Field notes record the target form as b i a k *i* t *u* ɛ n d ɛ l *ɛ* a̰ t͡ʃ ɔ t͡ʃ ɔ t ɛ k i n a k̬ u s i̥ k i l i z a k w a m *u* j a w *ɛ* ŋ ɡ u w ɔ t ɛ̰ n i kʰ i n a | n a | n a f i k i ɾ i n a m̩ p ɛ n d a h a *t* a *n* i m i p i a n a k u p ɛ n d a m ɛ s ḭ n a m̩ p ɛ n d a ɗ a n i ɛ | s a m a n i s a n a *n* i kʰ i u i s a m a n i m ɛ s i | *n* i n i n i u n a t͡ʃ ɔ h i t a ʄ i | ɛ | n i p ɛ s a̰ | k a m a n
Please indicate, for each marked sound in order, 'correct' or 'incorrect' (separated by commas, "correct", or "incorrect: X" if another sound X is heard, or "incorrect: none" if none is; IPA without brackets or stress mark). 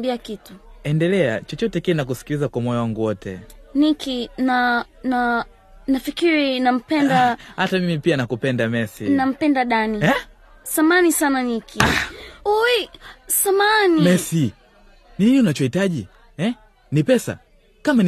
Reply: correct, correct, correct, incorrect: ɔ, incorrect: a, correct, incorrect: m, correct, correct